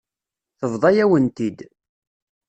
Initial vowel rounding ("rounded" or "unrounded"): unrounded